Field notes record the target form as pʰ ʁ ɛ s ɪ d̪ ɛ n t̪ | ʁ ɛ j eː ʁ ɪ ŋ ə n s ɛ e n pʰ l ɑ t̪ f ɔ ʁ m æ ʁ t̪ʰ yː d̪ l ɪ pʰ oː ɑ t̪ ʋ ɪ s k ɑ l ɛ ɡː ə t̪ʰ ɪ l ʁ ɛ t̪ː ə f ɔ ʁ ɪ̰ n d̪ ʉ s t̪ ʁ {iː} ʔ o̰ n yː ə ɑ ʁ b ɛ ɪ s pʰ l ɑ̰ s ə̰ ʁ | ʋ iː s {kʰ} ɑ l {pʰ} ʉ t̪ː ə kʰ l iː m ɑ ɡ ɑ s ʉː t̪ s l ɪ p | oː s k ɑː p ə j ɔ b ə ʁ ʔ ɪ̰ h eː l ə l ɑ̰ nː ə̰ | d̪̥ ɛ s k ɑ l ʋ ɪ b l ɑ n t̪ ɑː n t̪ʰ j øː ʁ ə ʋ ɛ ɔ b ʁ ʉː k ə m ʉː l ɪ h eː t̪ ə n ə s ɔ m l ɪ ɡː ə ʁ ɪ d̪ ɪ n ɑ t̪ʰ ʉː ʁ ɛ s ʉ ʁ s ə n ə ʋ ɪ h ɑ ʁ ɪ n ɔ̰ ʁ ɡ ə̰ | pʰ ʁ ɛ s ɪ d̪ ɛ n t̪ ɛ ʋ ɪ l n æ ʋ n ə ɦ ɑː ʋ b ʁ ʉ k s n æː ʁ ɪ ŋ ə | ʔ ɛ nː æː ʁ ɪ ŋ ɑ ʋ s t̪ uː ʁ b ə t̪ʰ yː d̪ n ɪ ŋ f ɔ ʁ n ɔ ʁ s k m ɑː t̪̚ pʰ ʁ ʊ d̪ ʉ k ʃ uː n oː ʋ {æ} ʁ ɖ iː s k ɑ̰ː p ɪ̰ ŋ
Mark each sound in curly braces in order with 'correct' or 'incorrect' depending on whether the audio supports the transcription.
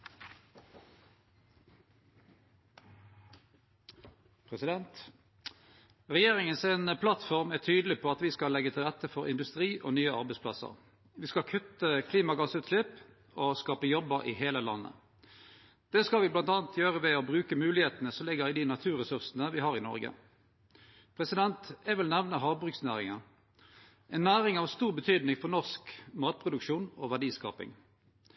correct, incorrect, incorrect, correct

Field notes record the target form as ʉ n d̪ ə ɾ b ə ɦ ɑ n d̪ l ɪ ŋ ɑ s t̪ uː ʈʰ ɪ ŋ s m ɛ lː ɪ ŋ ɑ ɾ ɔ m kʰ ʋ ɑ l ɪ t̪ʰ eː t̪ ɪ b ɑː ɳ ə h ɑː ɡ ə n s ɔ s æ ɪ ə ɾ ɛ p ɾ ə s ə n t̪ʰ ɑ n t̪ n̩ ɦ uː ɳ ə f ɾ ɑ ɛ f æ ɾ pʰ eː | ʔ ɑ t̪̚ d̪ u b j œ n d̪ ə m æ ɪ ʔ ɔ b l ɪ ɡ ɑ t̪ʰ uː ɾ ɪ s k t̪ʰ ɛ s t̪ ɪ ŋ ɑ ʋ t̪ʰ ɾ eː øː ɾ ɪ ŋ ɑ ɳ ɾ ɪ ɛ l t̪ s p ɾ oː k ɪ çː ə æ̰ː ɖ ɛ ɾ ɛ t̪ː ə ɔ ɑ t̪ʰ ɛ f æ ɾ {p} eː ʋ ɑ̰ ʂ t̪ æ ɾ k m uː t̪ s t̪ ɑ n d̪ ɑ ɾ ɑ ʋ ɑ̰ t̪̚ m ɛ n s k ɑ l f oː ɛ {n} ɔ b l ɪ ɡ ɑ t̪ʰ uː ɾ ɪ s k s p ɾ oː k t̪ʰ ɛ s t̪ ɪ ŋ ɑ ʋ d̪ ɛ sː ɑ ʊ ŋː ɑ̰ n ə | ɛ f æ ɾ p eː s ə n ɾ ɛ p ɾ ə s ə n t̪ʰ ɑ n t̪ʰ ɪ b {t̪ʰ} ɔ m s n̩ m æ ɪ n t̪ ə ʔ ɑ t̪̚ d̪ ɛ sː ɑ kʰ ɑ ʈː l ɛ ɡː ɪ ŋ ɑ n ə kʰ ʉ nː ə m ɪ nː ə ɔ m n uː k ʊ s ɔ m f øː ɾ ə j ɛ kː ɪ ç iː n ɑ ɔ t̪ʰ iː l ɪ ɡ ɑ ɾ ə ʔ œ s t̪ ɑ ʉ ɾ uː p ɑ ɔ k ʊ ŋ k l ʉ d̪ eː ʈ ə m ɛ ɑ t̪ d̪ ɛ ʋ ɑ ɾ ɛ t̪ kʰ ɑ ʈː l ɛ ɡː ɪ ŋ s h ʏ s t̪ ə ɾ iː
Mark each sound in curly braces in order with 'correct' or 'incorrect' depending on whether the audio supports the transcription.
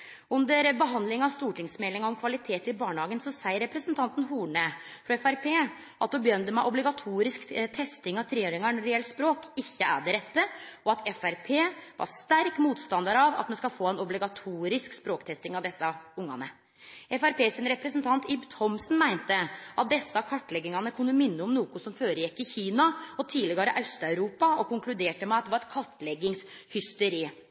incorrect, correct, correct

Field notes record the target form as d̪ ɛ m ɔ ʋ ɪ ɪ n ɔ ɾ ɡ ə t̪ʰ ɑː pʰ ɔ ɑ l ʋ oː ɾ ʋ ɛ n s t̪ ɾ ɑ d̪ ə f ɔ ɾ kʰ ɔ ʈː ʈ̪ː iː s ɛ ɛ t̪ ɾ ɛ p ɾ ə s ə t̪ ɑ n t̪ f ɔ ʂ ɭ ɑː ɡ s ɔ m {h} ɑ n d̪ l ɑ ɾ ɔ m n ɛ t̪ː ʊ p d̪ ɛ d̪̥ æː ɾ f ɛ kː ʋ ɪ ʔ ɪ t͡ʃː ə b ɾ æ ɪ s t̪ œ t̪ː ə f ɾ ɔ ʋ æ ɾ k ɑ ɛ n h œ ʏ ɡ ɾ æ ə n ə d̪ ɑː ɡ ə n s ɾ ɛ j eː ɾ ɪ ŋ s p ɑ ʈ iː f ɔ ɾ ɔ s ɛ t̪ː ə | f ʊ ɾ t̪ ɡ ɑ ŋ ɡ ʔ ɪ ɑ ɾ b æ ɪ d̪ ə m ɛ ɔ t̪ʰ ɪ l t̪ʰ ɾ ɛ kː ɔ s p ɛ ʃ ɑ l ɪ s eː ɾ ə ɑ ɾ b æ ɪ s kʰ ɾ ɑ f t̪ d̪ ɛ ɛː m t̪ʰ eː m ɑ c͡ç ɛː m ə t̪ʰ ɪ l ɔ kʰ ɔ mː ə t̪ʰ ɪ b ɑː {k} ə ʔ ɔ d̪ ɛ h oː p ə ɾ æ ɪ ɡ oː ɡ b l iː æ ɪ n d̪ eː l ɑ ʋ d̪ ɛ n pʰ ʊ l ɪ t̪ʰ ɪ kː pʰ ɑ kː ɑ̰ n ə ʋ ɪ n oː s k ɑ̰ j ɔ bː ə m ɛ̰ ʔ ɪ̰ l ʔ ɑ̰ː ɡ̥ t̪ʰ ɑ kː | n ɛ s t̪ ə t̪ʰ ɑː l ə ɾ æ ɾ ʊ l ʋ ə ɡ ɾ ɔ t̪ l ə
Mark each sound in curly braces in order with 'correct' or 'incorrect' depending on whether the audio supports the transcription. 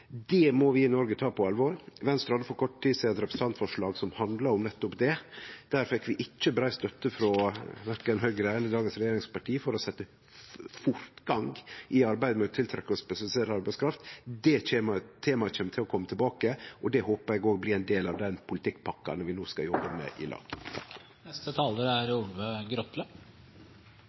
correct, correct

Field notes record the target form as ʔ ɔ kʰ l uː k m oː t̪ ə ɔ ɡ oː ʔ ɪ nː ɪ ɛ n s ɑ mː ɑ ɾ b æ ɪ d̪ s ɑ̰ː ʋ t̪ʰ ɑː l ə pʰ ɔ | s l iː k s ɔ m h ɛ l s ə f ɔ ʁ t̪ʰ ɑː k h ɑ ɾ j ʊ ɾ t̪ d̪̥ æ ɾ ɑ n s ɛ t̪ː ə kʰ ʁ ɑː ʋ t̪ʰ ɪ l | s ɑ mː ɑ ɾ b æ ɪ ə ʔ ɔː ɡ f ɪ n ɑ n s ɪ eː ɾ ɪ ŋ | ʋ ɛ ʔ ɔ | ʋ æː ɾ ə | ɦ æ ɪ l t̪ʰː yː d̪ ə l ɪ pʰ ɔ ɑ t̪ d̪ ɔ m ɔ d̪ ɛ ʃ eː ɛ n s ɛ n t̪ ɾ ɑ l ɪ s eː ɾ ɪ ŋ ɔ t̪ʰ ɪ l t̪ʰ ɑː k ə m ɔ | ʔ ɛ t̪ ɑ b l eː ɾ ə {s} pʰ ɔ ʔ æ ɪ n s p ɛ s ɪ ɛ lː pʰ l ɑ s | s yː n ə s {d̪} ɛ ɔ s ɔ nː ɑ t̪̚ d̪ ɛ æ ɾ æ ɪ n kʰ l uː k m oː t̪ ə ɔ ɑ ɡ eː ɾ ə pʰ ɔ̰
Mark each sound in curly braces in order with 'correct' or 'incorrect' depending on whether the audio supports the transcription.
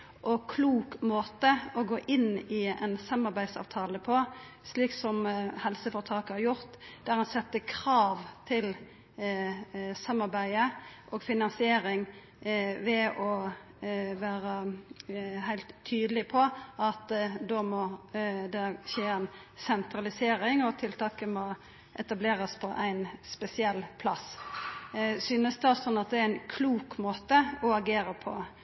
correct, correct

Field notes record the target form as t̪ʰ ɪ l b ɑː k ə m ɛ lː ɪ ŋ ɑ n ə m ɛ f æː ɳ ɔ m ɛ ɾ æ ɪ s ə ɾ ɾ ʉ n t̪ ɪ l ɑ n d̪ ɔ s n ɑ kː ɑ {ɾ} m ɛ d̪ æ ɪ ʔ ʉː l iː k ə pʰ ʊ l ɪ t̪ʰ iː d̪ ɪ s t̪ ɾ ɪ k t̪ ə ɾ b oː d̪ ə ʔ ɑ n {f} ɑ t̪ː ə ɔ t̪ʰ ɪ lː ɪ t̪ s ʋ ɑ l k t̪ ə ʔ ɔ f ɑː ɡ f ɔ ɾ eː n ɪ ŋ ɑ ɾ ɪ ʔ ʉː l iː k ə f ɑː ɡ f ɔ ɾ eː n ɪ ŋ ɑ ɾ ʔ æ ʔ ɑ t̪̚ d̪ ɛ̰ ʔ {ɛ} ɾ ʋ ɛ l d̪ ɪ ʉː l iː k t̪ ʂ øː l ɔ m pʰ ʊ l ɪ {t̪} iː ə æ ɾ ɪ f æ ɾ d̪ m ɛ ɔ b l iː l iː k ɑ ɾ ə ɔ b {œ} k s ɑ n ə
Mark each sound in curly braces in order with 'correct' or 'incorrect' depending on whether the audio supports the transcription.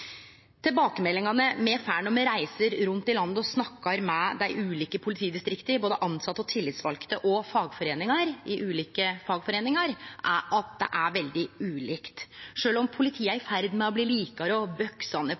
correct, incorrect, incorrect, incorrect, correct

